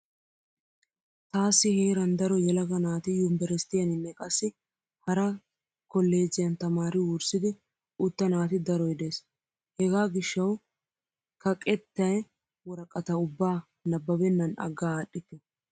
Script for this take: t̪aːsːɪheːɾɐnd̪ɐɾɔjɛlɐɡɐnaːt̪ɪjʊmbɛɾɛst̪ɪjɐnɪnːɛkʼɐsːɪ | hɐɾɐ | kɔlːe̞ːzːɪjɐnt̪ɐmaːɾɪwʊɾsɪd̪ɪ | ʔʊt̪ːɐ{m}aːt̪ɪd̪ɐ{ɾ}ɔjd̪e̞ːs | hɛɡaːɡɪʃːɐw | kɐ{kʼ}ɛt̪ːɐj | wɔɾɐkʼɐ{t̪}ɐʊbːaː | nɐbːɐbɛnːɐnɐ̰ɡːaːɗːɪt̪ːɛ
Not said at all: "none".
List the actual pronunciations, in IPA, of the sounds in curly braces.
n, ɾ, kʼ, t̪

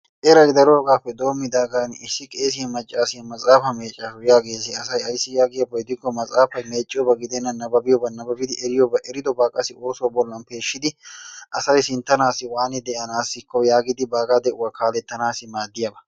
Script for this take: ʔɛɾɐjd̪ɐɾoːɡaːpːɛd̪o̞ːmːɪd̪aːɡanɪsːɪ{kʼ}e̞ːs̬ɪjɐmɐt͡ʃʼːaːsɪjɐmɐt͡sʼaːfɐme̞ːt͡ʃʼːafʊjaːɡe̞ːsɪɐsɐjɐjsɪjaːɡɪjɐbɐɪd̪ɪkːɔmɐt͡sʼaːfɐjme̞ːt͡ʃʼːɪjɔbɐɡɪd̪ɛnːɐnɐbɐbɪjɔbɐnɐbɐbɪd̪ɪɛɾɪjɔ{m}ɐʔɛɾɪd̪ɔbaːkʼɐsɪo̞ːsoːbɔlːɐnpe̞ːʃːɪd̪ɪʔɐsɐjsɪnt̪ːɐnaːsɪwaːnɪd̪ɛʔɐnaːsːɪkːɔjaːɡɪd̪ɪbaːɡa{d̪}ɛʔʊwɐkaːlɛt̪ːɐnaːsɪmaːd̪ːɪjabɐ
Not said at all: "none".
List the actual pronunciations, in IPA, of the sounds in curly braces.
kʼ, b, d̪

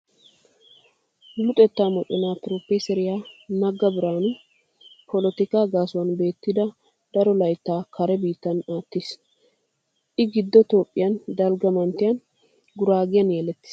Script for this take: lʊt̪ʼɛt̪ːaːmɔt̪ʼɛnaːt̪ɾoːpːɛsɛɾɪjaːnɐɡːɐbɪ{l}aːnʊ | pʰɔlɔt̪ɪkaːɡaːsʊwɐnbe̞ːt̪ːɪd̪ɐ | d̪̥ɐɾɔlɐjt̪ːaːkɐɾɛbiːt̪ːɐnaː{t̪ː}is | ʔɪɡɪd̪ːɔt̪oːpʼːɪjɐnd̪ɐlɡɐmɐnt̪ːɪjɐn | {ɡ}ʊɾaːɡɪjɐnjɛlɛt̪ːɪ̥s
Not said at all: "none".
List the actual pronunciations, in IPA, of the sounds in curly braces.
ɾ, t̪ː, ɡ

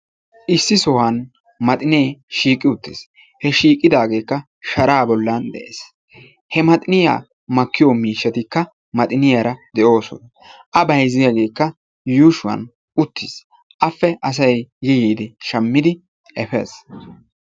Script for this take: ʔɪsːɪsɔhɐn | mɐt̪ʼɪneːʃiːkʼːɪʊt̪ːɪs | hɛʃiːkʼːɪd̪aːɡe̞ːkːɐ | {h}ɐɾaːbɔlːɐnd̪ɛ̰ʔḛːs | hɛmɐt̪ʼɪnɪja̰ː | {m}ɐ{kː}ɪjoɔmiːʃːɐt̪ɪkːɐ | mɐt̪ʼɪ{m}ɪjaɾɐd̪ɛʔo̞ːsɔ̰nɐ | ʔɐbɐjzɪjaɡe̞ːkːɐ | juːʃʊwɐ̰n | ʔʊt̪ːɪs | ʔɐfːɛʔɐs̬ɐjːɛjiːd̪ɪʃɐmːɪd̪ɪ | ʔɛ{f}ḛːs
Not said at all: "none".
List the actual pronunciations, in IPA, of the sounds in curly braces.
ʃ, m, kː, n, f

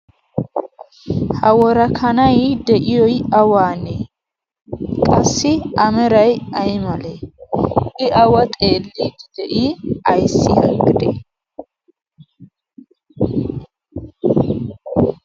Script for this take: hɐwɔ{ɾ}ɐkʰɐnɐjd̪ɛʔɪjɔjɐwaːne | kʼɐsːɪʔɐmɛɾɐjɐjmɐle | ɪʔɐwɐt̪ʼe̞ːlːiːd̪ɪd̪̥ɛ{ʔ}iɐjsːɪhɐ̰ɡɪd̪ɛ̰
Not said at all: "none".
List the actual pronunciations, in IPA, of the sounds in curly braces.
ɾ, ʔ

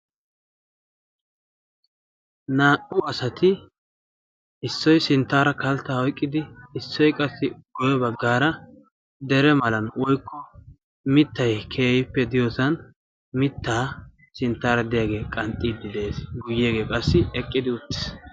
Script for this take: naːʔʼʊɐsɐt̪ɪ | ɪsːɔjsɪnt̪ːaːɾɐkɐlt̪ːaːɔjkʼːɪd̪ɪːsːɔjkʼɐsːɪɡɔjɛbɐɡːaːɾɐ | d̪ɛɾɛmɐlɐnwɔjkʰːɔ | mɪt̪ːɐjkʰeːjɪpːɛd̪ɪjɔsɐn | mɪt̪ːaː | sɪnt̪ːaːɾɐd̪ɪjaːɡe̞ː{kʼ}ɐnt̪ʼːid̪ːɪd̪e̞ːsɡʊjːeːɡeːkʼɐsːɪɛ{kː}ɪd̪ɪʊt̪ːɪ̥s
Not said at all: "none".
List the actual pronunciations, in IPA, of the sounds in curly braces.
kʼ, kʼː

